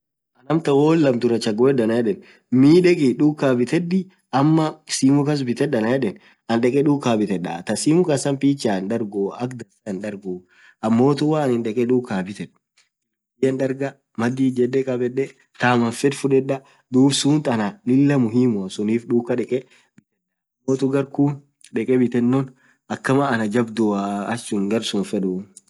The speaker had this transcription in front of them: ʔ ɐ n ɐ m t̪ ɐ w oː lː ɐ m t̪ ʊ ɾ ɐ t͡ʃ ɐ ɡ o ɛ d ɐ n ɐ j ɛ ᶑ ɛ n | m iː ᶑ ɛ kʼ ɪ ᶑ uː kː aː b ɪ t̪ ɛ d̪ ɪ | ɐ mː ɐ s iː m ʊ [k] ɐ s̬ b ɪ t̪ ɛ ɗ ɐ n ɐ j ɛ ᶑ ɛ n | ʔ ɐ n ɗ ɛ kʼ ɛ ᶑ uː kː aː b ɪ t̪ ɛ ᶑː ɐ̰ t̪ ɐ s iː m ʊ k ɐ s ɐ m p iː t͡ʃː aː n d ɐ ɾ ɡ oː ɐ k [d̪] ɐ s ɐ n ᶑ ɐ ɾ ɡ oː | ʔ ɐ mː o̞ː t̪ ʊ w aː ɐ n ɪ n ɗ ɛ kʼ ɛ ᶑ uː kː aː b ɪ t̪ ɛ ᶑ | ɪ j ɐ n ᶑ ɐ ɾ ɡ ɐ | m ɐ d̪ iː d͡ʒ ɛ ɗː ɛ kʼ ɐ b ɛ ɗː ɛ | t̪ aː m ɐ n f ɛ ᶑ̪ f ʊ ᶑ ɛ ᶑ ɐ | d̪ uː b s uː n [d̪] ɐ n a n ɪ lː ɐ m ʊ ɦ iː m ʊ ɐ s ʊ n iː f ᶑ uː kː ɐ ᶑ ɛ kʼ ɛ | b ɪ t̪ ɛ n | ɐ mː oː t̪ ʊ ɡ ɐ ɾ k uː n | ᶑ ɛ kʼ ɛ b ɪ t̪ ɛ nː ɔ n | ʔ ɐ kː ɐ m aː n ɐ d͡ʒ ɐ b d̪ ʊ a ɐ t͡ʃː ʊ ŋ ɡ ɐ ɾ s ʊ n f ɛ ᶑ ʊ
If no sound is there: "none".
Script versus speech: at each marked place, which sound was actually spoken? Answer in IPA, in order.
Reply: k, d̪, t̪

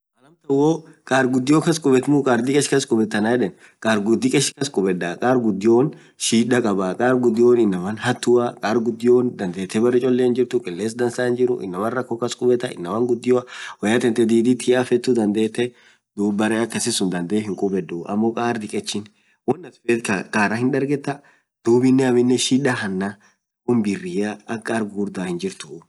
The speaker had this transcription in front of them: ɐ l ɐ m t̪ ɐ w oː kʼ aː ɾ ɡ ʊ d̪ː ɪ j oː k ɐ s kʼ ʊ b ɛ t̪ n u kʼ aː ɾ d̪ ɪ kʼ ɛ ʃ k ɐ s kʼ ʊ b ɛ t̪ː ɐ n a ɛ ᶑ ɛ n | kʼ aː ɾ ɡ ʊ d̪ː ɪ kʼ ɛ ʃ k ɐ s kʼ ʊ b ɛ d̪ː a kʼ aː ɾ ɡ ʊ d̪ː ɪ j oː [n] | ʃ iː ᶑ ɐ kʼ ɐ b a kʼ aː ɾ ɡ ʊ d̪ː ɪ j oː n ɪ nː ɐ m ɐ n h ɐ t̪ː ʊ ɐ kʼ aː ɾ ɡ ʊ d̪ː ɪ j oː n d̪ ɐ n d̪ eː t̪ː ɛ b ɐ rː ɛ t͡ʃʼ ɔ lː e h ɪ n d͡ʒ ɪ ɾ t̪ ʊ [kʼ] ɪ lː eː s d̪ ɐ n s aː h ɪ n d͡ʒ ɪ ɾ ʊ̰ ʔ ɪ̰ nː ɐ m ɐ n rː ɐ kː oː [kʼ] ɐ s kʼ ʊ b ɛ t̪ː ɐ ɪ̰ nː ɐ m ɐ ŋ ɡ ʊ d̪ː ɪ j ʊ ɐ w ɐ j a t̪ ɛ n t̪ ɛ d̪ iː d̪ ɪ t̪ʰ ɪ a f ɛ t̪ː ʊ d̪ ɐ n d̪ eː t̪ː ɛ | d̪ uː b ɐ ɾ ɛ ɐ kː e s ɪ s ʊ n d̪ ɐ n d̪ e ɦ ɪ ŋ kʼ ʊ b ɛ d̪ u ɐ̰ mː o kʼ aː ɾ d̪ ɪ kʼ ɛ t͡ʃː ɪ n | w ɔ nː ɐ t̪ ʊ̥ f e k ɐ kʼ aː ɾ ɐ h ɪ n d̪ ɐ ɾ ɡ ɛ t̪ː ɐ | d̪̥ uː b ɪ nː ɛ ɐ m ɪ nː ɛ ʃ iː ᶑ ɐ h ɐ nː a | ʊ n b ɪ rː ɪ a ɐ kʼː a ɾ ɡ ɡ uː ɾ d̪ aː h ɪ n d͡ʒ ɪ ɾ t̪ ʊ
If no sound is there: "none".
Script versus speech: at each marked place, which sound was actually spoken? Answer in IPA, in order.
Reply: n, kʼ, k

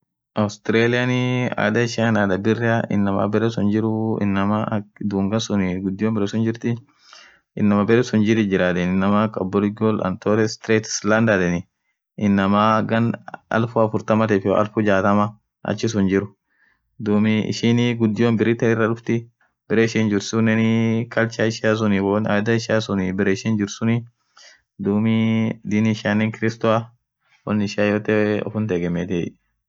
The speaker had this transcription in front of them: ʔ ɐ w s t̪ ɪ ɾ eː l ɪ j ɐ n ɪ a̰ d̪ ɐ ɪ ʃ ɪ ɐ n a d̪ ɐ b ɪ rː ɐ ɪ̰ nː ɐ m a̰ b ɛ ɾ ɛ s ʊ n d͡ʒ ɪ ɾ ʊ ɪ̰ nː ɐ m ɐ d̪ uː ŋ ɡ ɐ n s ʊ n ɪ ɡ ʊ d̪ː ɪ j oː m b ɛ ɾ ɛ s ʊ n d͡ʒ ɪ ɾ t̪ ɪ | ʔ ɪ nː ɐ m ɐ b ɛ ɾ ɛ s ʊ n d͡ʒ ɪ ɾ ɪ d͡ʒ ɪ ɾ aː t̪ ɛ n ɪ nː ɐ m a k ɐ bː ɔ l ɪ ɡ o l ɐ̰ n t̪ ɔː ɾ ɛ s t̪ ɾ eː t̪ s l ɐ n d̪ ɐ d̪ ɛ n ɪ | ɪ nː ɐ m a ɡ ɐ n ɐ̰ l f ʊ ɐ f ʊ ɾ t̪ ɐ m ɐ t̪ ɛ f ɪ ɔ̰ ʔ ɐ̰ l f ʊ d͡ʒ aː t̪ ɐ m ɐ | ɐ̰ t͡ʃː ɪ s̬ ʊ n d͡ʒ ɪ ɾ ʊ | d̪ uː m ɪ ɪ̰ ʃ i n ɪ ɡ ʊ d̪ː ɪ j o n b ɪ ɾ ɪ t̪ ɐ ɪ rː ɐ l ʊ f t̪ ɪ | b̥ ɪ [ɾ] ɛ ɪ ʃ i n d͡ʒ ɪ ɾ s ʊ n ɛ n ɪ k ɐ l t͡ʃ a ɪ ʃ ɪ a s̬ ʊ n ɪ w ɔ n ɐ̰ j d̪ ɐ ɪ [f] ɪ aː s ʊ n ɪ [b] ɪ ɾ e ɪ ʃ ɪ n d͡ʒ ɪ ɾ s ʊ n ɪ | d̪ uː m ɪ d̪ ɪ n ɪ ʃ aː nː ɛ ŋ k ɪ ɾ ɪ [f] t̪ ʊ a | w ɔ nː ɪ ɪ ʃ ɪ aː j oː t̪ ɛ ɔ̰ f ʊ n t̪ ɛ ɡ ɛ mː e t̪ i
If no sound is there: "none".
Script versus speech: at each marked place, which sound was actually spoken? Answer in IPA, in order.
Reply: ɾ, ʃ, b, s

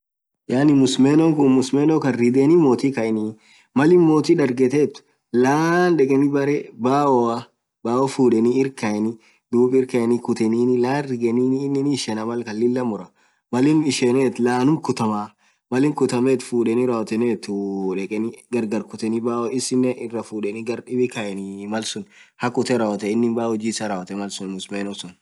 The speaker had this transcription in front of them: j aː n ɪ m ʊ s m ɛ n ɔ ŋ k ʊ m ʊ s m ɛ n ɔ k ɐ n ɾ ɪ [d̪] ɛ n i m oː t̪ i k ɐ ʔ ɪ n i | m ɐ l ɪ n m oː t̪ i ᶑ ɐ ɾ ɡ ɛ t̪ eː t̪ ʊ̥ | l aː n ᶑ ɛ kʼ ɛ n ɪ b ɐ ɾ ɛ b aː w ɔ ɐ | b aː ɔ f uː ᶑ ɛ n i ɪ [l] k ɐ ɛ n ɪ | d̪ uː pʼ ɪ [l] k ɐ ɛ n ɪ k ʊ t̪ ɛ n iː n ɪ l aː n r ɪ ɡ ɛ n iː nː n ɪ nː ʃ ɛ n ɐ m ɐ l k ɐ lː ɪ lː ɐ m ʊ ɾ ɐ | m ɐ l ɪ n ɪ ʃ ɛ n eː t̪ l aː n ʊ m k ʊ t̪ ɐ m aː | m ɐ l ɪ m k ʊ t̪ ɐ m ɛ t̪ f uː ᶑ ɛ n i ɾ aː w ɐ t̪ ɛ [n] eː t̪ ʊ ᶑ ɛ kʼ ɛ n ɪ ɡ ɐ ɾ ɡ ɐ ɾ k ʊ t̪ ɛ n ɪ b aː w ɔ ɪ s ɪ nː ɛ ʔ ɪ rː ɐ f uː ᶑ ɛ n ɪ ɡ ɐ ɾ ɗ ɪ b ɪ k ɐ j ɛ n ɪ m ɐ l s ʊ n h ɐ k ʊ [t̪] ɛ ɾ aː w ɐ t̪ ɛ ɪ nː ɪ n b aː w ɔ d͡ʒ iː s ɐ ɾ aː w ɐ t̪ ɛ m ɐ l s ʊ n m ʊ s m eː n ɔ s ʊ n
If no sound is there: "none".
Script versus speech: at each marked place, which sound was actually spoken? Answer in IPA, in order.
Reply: d̪, ɾ, ɾ, n, t̪

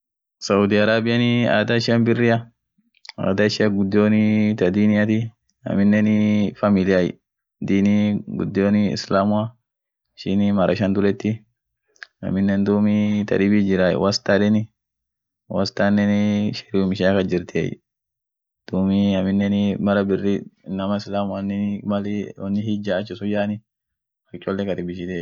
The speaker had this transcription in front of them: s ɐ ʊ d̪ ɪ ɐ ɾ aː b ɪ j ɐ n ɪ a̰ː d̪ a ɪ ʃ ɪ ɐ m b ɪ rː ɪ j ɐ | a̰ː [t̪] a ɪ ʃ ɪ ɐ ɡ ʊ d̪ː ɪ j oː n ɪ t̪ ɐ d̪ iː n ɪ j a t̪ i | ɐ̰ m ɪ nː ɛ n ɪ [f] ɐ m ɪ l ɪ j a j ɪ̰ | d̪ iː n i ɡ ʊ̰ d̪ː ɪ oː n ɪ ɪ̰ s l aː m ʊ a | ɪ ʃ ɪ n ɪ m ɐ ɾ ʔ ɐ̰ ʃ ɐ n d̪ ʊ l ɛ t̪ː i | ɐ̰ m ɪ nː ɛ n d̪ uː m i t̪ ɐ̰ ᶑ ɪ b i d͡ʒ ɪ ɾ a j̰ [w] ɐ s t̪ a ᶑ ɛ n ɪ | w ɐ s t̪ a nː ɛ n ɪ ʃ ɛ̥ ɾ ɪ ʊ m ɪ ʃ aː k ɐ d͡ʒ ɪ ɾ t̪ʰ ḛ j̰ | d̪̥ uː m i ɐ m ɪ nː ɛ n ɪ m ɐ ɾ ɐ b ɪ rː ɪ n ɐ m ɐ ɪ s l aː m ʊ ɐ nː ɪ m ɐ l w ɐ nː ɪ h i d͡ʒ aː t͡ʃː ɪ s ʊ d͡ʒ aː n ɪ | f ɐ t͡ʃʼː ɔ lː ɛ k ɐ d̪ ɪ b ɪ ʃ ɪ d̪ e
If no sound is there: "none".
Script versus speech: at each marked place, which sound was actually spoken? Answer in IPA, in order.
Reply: d̪, f, w

